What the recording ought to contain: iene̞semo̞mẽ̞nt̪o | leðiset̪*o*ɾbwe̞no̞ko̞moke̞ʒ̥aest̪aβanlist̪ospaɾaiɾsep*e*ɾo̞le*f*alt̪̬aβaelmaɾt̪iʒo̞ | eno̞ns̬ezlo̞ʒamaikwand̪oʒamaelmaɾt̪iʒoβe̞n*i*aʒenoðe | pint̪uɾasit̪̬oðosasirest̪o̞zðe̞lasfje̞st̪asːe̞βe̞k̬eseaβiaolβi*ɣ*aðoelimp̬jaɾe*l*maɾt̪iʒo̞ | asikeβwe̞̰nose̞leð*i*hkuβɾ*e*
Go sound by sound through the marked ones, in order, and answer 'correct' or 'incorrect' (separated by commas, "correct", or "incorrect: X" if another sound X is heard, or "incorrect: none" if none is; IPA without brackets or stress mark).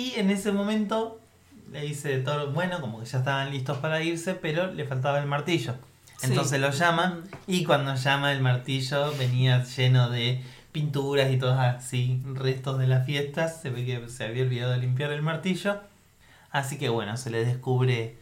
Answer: correct, correct, correct, correct, incorrect: ð, correct, incorrect: e, correct